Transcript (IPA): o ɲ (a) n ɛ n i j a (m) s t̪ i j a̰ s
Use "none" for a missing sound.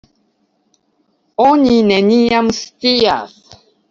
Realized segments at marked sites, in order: i, m

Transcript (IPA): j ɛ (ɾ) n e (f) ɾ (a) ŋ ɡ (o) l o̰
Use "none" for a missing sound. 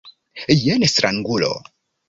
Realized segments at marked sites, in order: none, s, a, u

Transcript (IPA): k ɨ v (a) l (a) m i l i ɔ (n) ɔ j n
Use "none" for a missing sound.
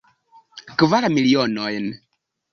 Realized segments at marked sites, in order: a, a, n

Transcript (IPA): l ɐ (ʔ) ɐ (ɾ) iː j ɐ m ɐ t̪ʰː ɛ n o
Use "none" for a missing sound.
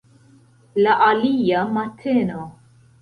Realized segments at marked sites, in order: ʔ, l

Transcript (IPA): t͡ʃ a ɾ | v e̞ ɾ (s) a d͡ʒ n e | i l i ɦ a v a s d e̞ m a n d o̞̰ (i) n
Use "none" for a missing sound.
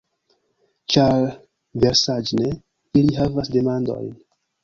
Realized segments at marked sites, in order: s, j

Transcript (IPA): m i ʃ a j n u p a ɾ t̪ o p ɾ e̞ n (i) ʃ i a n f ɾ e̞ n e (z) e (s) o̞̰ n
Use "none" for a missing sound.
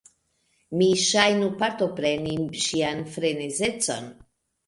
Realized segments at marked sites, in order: i, z, t͡s

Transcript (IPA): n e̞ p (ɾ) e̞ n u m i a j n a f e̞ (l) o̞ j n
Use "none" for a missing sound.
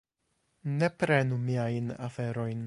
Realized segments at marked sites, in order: ɾ, ɾ

